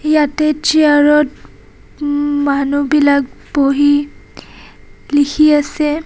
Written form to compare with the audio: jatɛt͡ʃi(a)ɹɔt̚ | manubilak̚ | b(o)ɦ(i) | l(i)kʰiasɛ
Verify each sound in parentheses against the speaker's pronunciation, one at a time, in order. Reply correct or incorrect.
correct, correct, correct, correct

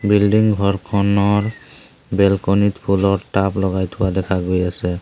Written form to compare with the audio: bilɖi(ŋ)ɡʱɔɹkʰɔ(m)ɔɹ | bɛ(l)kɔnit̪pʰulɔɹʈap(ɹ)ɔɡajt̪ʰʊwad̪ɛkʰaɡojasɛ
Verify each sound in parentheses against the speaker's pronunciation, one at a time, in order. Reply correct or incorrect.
correct, incorrect, correct, incorrect

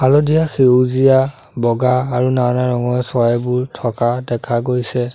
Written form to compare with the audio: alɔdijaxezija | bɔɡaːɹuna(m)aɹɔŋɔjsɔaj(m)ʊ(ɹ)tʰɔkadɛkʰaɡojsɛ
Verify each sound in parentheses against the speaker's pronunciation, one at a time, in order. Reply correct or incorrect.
incorrect, incorrect, correct

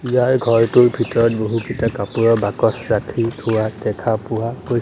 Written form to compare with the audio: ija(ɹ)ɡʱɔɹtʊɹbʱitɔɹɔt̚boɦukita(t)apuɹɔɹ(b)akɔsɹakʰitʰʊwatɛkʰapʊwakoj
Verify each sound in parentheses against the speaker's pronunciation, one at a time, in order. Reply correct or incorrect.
correct, incorrect, correct

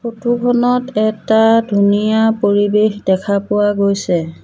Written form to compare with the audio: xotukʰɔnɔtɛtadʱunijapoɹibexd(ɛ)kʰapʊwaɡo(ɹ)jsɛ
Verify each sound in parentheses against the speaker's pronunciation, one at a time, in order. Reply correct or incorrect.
correct, incorrect

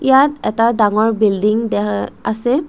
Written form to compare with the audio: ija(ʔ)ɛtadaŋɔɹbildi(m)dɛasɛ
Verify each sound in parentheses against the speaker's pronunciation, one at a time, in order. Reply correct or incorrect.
incorrect, incorrect

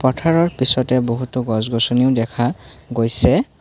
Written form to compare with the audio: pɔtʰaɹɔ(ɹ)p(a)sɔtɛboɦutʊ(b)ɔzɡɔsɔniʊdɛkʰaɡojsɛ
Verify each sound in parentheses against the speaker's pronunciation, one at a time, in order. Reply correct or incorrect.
correct, incorrect, incorrect

